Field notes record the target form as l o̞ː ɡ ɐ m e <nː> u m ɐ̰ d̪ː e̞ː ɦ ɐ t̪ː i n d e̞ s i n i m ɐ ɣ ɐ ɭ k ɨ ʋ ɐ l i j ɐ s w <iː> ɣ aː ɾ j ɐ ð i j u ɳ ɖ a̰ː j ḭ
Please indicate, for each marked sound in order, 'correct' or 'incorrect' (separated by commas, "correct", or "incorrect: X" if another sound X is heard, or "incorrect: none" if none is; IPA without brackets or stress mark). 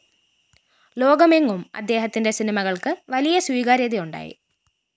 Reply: incorrect: ŋː, correct